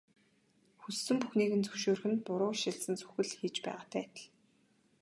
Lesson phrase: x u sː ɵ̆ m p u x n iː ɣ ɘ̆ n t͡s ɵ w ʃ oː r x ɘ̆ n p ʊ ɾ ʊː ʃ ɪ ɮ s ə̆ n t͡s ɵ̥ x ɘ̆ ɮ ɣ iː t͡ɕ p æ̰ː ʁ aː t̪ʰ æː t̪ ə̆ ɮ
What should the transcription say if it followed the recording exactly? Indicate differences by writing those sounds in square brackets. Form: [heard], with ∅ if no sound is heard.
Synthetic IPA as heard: x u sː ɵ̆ m p u x n iː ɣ ɘ̆ n t͡s ɵ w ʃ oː r x ɘ̆ n p ʊ ɾ ʊː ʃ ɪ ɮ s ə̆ n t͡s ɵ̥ x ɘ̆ ɮ [x] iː t͡ɕ p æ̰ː ʁ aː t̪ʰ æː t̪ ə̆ ɮ